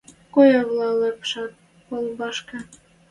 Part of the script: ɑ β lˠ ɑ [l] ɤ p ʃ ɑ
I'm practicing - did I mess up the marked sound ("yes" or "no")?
no